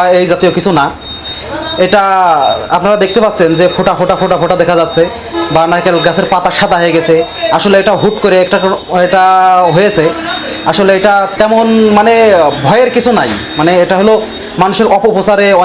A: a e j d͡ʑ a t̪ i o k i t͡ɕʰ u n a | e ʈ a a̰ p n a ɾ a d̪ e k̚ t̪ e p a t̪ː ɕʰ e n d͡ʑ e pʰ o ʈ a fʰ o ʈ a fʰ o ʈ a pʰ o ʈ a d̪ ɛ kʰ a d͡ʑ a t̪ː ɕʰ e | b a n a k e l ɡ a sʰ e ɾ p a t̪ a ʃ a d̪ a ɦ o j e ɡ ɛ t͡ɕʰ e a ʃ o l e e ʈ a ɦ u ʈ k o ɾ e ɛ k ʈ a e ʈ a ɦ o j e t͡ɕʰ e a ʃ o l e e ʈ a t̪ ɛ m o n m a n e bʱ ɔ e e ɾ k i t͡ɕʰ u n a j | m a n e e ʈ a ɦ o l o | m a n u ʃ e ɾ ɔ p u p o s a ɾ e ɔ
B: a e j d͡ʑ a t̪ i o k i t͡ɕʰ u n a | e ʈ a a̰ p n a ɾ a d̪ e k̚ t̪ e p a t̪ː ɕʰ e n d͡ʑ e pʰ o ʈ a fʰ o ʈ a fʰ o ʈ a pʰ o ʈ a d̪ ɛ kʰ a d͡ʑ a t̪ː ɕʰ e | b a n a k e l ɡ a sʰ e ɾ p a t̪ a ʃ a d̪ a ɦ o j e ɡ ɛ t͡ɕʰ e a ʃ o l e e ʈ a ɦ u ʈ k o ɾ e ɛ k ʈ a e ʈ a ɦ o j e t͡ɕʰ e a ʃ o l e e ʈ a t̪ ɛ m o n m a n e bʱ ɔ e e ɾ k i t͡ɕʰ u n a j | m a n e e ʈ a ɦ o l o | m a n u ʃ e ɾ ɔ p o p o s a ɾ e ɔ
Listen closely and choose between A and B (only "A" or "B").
B